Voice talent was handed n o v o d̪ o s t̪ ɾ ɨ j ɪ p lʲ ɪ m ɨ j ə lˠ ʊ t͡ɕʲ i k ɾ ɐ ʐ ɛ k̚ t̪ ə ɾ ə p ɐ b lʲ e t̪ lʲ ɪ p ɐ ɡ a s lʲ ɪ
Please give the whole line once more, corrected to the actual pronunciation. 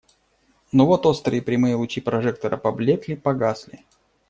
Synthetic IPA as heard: n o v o t̪ o s t̪ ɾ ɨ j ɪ p ɾʲ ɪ m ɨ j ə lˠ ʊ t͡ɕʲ i p ɾ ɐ ʐ ɛ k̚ t̪ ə ɾ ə p ɐ b lʲ e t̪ lʲ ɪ p ɐ ɡ a s lʲ ɪ